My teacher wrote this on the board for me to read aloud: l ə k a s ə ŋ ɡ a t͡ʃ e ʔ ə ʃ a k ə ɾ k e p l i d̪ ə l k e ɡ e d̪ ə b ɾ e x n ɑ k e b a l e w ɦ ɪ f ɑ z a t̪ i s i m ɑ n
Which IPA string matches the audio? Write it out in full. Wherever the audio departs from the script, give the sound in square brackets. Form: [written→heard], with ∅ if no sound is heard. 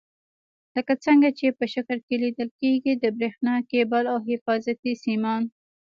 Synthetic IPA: l ə k a [s→t͡s] ə ŋ ɡ a t͡ʃ e [ʔ→p] ə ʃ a k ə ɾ k e [p→∅] l i d̪ ə l k e ɡ [e→i] d̪ ə b ɾ e x n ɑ k e b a l [e→a] w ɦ ɪ f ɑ z a t̪ i s i m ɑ n